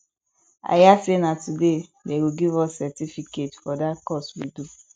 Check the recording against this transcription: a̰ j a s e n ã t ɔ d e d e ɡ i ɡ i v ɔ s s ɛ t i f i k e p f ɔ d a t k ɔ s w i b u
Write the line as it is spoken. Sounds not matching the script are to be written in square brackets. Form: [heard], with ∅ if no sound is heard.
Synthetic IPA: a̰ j a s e n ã t [u] d e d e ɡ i ɡ i v ɔ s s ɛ t i f i k e [t] f ɔ d a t k ɔ s w i [d] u

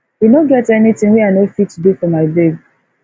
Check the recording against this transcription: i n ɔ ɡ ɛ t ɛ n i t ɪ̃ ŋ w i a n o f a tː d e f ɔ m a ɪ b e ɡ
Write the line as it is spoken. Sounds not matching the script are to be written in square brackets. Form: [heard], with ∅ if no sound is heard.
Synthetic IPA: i n [o] ɡ ɛ t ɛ n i t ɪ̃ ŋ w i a n o f [i] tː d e f ɔ m a ɪ b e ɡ

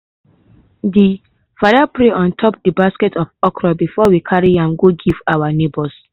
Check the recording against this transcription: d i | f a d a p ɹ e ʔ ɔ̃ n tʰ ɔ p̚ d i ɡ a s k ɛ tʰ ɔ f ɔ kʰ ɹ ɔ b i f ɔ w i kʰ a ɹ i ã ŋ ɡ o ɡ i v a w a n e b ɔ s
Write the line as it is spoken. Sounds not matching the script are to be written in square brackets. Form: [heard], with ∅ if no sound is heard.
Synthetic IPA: d i | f a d a p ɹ e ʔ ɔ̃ n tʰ ɔ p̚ d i [b] a s k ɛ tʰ ɔ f ɔ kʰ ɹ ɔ b i f ɔ w i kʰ a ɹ i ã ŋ ɡ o ɡ i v a w a n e b ɔ s

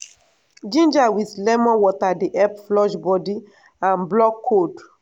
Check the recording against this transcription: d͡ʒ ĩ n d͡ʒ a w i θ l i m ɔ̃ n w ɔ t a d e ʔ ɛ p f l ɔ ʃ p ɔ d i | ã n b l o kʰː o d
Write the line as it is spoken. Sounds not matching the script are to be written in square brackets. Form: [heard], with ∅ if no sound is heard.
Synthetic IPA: d͡ʒ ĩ n d͡ʒ a w i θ l [ɛ] m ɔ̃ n w ɔ t a d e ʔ ɛ p f l ɔ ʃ [b] ɔ d i | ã n b l [ɔ] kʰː o d

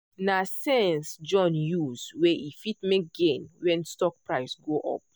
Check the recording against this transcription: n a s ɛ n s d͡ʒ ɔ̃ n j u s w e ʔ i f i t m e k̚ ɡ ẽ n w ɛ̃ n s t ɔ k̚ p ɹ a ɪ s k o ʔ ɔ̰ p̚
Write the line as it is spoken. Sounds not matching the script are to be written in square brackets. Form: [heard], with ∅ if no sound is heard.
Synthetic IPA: n a s ɛ n s d͡ʒ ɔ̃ n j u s w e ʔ i f i t m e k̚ ɡ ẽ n w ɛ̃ n s t ɔ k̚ p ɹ a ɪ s [ɡ] o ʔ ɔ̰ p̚

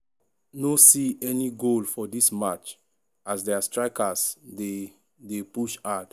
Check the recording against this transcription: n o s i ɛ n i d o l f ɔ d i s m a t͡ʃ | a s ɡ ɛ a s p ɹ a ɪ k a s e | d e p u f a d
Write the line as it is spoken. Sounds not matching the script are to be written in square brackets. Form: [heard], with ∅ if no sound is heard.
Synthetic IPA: n o s i ɛ n i [ɡ] o l f ɔ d i s m a t͡ʃ | a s [d] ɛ a s [t] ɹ a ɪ k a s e | d e p u [ʃ] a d

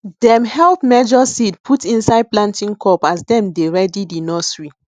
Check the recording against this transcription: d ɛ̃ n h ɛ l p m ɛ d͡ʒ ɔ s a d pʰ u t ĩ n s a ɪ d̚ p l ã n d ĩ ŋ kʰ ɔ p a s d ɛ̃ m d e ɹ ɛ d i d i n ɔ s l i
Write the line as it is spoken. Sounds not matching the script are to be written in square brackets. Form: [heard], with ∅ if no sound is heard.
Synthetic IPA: d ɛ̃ [m] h ɛ l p m ɛ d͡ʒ ɔ s [i] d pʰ u t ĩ n s a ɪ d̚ p l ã n [t] ĩ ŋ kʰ ɔ p a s d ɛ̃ m d e ɹ ɛ d i d i n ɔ s [ɹ] i

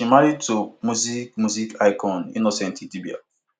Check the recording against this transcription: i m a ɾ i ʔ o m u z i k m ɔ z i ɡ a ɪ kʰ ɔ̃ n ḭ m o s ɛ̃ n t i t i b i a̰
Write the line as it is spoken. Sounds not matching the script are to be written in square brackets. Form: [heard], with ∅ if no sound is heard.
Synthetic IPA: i m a ɾ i [t] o m u z i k m [u] z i [k] a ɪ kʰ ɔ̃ n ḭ [n] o s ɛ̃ n t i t i b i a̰

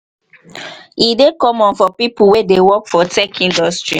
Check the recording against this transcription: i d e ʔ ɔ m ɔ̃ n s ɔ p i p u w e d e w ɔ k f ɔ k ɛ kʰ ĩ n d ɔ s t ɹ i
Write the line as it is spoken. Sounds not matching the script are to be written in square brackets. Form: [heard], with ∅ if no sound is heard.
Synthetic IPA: i d e [k] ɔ m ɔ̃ n [f] ɔ p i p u w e d e w ɔ k f ɔ [t] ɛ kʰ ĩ n d ɔ s t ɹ i

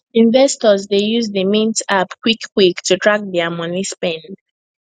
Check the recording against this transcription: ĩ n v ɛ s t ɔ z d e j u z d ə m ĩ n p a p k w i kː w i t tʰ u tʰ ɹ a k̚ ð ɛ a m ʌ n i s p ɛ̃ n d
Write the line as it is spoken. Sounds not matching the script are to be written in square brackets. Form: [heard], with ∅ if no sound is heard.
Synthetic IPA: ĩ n v ɛ s t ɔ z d e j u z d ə m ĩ n [t] a p k w i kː w i [k] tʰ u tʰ ɹ a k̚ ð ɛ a m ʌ n i s p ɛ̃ n d

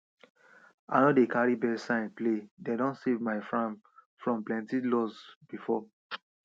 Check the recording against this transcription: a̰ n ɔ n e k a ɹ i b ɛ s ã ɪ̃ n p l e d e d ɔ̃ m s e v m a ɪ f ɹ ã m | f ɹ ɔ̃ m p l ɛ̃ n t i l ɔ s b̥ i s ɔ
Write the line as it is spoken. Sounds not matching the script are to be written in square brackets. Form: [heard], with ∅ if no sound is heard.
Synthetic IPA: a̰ n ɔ [d] e k a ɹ i b ɛ s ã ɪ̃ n p l e d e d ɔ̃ [n] s e v m a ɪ f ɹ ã m | f ɹ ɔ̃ m p l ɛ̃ n t i l ɔ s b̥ i [f] ɔ

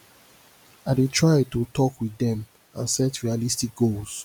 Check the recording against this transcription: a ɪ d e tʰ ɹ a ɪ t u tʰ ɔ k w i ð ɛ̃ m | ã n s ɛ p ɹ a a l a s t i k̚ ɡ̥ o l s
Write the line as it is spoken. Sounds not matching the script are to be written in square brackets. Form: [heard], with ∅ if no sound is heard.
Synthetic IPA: a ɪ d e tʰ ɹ a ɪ t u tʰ ɔ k w i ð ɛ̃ m | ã n s ɛ [t] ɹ [i] a l [i] s t i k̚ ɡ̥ o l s

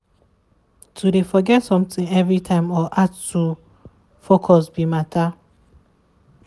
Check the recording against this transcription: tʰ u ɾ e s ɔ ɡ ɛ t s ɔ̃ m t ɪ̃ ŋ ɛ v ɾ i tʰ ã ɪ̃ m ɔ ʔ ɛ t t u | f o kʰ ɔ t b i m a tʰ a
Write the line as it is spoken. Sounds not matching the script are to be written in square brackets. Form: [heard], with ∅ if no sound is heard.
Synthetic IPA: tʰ u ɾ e [f] ɔ ɡ ɛ t s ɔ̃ m t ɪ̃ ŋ ɛ v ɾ i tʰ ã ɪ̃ m ɔ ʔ [a] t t u | f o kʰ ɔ [s] b i m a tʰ a

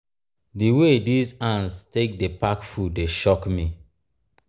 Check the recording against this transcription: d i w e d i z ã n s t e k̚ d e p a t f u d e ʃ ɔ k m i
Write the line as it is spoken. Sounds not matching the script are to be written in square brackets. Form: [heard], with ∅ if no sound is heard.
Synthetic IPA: d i w e d i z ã n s t e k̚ d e p a [k] f u d e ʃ ɔ k m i

